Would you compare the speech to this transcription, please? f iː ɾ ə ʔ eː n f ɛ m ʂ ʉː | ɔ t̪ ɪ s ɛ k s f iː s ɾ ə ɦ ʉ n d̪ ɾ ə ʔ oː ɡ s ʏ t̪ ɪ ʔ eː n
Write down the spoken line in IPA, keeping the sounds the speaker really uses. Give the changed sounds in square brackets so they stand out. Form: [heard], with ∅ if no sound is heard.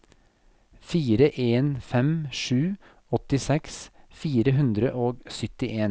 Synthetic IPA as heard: f iː ɾ ə ʔ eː n f ɛ m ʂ ʉː | ɔ t̪ ɪ s ɛ k s f iː [∅] ɾ ə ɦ ʉ n d̪ ɾ ə ʔ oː ɡ s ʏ t̪ ɪ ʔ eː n